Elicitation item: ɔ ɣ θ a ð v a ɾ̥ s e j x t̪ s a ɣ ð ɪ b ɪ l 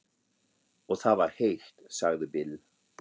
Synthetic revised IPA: ɔ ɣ θ a ð v a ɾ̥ h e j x t̪ s a ɣ ð ɪ b ɪ l